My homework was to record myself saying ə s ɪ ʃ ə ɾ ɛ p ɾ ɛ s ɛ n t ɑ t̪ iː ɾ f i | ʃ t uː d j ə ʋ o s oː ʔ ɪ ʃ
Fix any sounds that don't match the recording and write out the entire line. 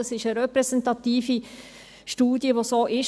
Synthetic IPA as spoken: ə s ɪ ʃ ə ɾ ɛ p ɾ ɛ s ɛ n t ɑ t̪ iː f i | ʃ t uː d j ə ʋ o s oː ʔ ɪ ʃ